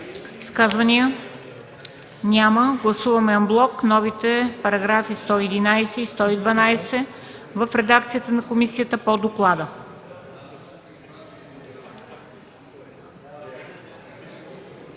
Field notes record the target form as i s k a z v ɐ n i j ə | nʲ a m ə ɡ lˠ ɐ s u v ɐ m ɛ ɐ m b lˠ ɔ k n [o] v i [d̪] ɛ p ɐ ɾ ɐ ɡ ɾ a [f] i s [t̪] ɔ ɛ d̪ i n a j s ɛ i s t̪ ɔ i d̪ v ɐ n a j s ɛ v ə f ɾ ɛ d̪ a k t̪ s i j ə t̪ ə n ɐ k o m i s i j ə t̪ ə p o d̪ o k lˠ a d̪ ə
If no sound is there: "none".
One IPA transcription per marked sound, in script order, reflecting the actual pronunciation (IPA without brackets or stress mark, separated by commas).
ɔ, t̪, f, t̪